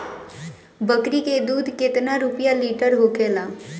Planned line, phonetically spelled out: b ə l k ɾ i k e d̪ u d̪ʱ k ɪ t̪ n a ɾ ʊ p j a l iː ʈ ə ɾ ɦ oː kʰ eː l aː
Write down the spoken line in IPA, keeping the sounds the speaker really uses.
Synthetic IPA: b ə k ɾ i k e d̪ uː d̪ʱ k ɪ t̪ n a ɾ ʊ p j a l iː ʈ ə ɾ ɦ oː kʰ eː l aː